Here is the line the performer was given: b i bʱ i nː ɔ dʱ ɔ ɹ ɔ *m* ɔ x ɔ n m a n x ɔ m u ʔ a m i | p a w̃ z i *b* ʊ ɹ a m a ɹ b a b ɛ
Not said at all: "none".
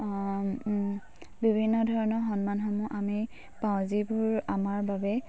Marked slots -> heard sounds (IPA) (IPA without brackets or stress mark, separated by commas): n, b